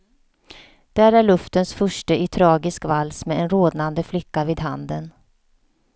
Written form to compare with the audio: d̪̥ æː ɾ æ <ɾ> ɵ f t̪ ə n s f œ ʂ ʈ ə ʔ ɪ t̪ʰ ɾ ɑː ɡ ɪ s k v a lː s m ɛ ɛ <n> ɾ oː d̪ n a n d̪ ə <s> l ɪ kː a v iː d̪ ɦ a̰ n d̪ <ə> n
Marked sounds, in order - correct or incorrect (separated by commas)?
incorrect, correct, incorrect, correct